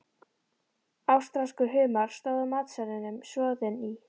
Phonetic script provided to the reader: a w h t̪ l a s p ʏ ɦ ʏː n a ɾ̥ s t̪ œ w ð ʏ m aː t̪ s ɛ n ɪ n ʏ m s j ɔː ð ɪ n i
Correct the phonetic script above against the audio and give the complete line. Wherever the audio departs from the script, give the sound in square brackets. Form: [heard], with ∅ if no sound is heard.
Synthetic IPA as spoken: a w [s] t̪ [ɾ] a s [k] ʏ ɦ ʏː [m] a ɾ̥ s t̪ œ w ð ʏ m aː t̪ s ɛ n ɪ n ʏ m s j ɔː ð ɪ n i